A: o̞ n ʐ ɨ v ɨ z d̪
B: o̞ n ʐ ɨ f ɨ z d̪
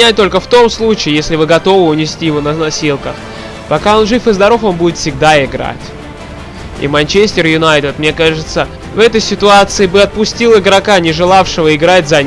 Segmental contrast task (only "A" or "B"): B